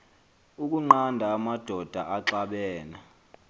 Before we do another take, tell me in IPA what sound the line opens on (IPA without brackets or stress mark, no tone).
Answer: u